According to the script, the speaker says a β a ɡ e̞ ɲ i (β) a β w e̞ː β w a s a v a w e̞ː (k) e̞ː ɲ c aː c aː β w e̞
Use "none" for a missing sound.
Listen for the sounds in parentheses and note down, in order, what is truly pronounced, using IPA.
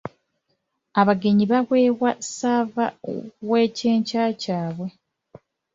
β, c

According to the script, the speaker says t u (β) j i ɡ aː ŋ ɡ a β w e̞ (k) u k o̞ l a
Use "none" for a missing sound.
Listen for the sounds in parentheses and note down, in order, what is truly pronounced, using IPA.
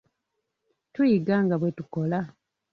none, t

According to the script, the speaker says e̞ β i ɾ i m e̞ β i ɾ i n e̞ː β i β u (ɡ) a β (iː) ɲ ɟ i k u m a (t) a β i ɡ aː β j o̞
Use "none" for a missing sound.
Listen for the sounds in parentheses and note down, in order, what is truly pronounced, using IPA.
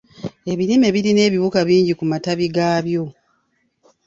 k, iː, t

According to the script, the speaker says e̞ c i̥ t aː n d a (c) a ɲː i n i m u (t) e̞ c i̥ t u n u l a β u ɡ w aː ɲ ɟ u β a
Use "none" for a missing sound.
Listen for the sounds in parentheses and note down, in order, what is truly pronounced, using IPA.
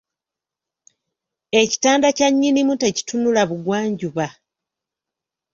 c, t

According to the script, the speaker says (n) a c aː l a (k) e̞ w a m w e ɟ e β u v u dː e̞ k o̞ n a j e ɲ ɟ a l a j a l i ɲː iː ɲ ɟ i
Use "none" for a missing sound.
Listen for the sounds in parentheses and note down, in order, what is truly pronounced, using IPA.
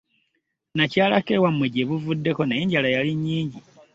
n, k

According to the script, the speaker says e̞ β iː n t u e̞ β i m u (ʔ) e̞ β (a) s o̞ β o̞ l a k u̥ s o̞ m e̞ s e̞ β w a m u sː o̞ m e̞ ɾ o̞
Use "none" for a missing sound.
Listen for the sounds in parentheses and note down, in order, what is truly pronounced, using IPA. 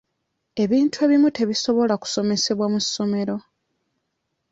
t, i

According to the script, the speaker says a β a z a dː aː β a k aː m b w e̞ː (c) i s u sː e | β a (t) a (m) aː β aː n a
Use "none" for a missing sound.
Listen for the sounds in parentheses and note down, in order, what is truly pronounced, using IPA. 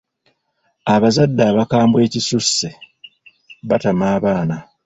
c, t, m

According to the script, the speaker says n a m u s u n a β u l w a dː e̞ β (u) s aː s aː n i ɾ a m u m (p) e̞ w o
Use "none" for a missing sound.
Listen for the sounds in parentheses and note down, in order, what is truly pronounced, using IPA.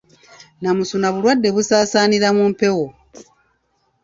u, p

